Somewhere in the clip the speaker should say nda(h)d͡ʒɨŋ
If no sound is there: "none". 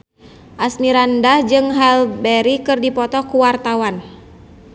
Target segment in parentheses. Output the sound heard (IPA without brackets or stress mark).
h